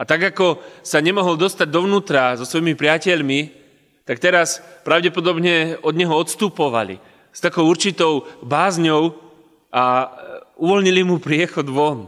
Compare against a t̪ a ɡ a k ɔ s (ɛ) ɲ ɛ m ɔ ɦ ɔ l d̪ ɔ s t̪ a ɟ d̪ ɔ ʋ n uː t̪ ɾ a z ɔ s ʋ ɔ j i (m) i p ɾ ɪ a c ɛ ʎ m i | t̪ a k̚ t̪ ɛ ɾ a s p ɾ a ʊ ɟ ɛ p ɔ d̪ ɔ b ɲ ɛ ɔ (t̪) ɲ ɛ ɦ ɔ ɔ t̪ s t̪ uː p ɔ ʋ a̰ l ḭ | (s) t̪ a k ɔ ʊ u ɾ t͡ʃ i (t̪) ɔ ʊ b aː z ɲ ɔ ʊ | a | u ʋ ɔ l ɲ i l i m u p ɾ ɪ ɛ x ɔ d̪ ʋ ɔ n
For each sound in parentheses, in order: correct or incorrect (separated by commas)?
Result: incorrect, correct, incorrect, correct, correct